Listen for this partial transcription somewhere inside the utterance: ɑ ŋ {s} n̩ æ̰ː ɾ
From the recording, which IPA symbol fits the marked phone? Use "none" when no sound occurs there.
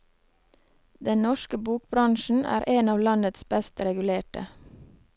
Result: ʃ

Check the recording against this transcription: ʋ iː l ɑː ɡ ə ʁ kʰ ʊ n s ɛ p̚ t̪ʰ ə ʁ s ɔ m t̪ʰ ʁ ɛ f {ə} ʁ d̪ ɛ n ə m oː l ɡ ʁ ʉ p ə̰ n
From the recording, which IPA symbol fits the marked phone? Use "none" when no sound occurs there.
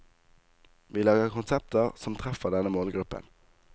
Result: ə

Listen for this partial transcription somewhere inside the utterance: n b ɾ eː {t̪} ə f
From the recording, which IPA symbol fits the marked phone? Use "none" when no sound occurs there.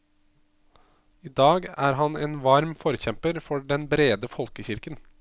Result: d̪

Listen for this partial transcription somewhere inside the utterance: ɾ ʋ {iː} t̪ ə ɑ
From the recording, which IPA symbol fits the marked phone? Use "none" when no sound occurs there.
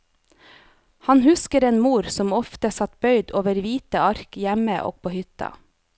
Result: iː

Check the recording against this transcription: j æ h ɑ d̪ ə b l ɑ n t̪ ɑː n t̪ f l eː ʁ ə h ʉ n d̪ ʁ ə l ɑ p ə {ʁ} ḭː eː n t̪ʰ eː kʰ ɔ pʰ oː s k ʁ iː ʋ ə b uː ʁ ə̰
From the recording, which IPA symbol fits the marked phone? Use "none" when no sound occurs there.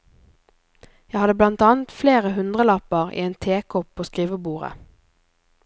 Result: ʁ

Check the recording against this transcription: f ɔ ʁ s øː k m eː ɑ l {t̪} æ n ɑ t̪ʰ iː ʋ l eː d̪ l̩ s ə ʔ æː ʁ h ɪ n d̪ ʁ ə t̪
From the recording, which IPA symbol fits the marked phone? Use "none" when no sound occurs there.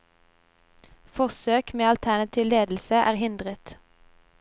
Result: t̪ʰ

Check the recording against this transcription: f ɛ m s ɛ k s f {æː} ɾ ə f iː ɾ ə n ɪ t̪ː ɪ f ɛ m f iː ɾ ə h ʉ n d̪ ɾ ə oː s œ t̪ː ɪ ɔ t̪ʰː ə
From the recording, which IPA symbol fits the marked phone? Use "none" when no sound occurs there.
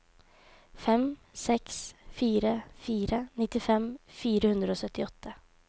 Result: iː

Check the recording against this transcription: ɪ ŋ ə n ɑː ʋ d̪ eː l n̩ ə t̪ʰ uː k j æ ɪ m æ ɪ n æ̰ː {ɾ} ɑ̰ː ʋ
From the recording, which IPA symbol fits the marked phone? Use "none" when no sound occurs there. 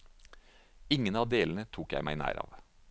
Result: ɾ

